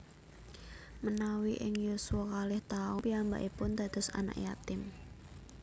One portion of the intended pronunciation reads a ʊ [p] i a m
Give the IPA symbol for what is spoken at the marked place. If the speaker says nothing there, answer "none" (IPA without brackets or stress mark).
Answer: p